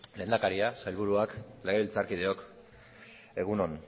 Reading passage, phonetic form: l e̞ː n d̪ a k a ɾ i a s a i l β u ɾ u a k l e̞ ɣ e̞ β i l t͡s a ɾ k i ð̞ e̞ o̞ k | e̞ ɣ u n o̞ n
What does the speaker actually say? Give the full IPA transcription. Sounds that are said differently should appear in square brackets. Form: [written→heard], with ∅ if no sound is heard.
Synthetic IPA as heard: l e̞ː n d̪ a k a ɾ i a s a [i→j] l β u ɾ u a k l e̞ ɣ e̞ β i l t͡s a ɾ k i ð̞ e̞ o̞ k | e̞ ɣ u n o̞ n